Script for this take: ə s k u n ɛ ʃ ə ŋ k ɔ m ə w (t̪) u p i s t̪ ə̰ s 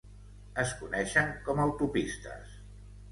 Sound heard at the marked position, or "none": t̪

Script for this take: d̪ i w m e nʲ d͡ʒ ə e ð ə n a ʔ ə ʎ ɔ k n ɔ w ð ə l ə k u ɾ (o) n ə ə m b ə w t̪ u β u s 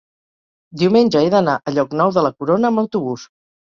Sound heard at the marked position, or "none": o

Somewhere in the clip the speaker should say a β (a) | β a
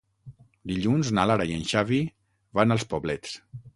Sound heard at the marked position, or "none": i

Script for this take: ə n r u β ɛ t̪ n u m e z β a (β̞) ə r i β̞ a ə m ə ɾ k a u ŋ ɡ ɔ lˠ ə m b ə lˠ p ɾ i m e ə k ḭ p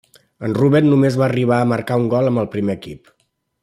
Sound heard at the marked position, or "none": none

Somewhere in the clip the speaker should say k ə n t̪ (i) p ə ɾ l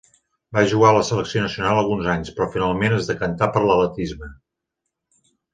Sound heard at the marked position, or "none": a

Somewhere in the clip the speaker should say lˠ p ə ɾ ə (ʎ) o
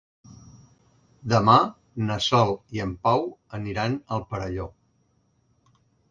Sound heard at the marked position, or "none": ʎ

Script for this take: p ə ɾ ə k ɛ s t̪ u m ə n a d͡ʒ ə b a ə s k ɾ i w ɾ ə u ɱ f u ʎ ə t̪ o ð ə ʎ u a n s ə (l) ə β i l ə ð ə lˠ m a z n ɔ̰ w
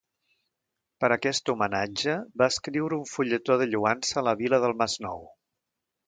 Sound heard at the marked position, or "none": l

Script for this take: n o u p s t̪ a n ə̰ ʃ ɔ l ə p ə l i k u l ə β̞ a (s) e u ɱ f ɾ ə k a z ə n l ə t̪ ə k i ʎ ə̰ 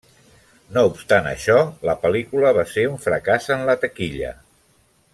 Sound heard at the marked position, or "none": s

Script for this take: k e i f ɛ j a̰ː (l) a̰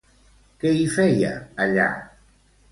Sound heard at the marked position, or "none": ʎ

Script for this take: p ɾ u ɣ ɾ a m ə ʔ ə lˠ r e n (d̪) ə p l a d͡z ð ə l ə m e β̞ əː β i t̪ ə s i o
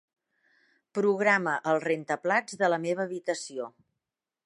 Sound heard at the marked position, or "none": t̪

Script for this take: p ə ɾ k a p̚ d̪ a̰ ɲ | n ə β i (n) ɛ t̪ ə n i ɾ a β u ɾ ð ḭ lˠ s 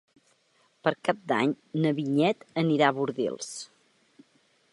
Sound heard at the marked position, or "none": ɲ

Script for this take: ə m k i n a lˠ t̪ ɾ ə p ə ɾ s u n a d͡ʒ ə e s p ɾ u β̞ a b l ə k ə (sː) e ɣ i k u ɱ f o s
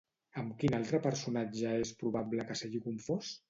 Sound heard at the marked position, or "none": s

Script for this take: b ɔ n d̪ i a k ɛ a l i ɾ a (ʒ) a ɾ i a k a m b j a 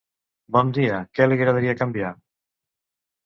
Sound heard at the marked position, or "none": ð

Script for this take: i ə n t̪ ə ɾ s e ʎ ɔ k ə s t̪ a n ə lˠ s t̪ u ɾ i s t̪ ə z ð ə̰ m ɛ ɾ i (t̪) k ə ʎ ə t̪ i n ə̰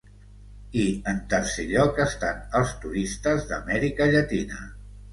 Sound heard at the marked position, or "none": none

